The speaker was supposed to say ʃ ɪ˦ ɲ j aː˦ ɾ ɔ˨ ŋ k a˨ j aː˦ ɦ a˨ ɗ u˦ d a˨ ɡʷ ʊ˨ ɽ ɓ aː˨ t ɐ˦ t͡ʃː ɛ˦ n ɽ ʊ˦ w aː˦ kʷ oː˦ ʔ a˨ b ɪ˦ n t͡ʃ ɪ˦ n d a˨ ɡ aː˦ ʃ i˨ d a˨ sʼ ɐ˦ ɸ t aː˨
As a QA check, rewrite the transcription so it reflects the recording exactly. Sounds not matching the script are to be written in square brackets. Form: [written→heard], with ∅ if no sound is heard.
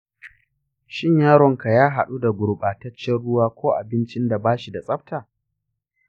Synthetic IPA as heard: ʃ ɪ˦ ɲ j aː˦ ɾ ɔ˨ ŋ k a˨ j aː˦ ɦ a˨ ɗ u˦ d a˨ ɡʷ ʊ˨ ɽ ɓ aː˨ t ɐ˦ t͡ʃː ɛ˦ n ɽ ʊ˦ w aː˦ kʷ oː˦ ʔ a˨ b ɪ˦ n t͡ʃ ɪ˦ n d a˨ [ɡ→b] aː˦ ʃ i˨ d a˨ sʼ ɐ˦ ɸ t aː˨